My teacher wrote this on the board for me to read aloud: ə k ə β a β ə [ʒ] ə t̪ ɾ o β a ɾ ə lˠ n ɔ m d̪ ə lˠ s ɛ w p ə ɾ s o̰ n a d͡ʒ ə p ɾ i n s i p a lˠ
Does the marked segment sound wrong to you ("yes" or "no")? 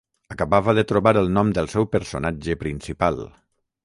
yes